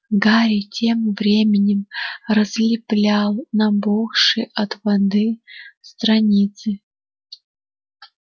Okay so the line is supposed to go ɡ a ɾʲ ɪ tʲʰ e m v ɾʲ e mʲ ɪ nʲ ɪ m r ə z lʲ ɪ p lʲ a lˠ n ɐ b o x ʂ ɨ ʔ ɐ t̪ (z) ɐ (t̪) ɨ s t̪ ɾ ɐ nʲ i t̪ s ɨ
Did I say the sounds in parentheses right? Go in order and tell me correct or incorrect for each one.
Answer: incorrect, incorrect

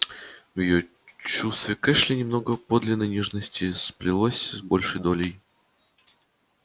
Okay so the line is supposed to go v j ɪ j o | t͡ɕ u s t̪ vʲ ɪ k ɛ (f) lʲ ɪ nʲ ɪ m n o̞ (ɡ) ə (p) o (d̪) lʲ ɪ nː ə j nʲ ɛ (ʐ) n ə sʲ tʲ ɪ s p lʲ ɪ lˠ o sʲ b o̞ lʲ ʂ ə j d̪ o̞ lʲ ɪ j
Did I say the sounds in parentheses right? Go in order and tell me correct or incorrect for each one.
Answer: incorrect, correct, correct, correct, correct

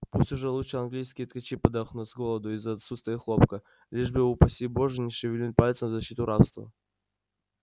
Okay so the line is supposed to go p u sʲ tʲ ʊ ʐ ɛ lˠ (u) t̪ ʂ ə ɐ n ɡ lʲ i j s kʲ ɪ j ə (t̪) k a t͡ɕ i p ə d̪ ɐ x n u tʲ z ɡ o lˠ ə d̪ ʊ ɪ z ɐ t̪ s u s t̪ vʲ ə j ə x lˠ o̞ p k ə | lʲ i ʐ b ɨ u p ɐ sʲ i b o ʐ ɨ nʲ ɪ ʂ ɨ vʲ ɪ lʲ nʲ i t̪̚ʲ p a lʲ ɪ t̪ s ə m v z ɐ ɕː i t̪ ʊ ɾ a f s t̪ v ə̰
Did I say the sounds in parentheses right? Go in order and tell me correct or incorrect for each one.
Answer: correct, correct

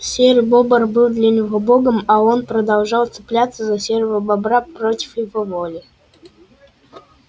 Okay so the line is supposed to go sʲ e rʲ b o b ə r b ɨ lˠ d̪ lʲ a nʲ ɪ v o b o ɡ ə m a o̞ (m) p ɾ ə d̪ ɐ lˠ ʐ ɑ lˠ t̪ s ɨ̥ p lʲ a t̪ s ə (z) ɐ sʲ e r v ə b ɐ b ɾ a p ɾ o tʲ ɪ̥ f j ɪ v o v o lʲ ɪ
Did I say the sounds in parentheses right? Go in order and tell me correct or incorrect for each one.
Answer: incorrect, correct

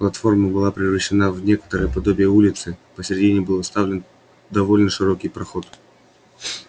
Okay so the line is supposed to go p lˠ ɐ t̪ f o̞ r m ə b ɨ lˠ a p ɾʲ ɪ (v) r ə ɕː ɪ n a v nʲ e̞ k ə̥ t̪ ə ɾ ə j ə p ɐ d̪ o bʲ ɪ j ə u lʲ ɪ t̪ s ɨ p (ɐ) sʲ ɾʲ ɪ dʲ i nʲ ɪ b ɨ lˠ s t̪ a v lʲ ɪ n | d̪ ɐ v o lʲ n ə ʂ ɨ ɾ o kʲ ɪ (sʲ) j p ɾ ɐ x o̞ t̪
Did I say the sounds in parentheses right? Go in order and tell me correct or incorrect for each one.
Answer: correct, incorrect, incorrect

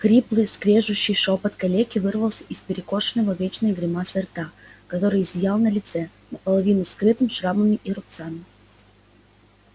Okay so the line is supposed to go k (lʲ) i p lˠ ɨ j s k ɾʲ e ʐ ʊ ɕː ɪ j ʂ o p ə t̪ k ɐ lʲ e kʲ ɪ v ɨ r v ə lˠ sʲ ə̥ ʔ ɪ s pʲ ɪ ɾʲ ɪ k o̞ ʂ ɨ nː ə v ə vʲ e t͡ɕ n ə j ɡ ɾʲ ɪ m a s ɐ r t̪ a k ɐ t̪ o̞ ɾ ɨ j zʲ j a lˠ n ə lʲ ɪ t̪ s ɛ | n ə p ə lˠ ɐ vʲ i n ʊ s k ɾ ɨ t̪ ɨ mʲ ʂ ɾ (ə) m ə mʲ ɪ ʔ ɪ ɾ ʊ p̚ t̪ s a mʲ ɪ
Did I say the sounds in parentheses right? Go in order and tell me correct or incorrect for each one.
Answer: incorrect, incorrect

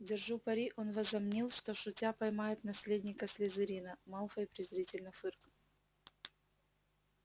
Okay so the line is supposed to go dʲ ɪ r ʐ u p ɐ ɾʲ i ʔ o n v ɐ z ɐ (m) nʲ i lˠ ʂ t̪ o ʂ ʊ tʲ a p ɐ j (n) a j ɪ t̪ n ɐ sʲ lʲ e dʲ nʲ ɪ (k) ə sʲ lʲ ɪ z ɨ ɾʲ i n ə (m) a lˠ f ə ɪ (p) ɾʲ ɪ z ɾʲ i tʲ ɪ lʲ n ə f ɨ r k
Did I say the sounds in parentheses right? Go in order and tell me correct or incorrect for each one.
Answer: correct, incorrect, correct, correct, correct

